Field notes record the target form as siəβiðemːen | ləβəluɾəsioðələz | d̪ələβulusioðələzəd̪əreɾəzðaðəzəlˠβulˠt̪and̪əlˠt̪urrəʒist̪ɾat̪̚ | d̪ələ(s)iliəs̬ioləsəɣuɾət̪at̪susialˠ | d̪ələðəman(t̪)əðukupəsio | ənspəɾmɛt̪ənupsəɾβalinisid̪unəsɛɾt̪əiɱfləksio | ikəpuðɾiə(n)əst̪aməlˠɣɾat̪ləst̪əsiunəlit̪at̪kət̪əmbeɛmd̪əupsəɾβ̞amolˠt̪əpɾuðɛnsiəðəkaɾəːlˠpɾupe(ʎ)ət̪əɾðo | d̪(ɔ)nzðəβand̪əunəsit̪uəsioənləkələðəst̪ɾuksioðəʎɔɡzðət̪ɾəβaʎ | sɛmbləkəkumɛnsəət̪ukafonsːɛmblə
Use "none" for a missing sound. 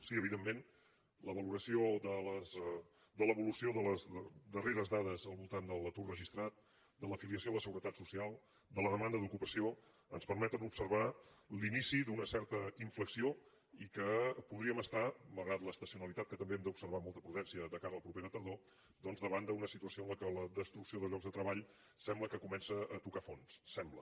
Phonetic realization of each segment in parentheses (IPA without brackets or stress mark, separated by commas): f, d̪, m, ɾ, ɔ